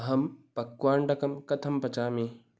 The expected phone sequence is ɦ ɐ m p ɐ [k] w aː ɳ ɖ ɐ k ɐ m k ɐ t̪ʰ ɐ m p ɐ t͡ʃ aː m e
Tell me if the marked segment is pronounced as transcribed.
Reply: yes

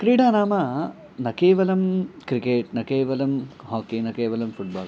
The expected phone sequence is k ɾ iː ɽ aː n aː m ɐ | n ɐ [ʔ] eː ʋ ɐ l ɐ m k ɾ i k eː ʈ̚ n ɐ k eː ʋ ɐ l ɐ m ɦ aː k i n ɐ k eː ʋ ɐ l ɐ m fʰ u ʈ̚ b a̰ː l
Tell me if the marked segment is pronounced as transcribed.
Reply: no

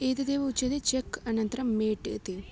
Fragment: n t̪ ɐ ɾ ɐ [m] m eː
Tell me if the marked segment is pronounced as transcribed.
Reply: yes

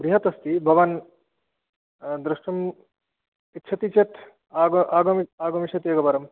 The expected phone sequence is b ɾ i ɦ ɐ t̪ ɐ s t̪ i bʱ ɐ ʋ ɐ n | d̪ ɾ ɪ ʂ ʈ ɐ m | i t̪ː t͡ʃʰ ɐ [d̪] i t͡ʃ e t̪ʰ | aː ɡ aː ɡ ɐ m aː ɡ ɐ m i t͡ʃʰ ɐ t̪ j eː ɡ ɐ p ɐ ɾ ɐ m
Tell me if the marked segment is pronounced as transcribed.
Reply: no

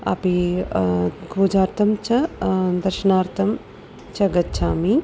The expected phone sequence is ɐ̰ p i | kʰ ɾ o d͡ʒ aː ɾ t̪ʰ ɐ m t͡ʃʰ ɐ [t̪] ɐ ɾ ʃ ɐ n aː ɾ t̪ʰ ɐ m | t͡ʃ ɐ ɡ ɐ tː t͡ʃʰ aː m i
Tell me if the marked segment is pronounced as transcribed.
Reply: no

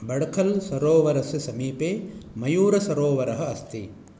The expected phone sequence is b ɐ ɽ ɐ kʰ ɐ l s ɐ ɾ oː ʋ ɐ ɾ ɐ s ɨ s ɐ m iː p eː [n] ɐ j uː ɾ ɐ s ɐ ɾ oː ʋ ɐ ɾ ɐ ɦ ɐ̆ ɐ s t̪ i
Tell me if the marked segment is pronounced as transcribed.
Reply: no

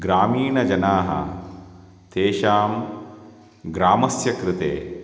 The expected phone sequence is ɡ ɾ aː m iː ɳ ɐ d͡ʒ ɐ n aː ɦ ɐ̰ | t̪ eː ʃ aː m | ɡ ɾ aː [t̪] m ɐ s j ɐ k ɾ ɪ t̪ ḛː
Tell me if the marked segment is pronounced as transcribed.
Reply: no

